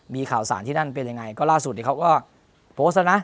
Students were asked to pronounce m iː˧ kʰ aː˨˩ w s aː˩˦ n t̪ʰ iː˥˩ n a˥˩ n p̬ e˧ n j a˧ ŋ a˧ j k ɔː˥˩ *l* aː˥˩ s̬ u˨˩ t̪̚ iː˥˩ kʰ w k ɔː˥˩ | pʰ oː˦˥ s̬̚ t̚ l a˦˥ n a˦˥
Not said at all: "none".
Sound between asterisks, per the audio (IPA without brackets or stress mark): l